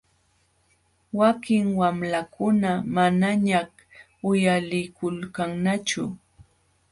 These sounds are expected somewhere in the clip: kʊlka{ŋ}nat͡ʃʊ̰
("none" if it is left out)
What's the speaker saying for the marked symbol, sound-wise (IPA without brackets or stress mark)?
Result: ŋ